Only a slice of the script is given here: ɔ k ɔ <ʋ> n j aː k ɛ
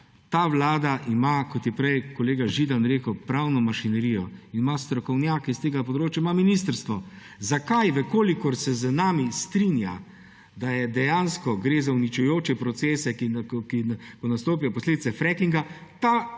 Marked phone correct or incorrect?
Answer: incorrect